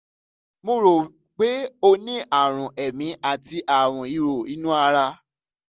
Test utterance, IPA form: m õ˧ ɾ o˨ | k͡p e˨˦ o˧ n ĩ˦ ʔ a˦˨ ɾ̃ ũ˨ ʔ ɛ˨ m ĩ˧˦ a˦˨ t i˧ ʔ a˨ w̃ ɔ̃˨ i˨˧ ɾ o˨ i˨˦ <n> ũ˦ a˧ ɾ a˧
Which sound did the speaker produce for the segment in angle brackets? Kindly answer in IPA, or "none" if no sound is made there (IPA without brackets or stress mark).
n